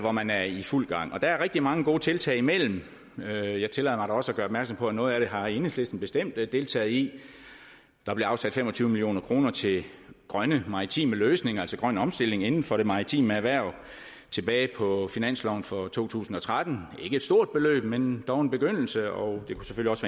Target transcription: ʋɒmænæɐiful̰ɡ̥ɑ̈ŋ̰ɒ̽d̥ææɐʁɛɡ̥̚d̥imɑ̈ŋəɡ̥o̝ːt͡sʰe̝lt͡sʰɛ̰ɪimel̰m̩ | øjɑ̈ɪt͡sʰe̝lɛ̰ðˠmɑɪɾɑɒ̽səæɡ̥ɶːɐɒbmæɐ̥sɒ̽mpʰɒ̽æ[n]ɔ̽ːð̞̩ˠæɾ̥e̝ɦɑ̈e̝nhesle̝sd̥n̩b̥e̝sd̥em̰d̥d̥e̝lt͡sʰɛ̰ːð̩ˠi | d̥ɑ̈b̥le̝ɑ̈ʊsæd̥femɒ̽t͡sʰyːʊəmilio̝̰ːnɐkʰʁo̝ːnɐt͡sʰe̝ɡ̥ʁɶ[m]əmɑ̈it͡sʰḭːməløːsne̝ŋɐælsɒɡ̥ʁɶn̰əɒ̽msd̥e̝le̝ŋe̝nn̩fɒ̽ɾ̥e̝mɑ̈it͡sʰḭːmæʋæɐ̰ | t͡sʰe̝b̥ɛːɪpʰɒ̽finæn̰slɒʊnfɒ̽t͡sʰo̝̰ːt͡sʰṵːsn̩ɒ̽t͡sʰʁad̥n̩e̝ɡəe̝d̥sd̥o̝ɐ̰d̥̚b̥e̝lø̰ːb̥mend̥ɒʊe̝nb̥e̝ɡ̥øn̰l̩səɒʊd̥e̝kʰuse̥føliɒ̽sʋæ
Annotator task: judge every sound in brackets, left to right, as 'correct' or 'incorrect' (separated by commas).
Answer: correct, incorrect